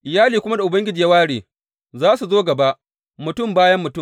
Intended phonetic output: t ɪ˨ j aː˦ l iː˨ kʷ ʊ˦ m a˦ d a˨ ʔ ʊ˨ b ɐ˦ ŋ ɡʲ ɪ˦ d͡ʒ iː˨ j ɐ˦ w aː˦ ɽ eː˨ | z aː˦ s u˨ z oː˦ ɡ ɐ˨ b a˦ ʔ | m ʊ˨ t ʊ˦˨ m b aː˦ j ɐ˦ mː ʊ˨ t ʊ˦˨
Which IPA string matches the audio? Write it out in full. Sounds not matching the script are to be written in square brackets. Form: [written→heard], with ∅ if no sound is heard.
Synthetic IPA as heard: [t→ʔ] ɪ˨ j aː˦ l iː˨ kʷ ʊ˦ m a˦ d a˨ ʔ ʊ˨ b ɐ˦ ŋ ɡʲ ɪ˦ d͡ʒ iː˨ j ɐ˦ w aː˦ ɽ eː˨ | z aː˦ s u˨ z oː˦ ɡ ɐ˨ b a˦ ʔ | m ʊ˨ t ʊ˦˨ m b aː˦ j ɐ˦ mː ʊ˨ t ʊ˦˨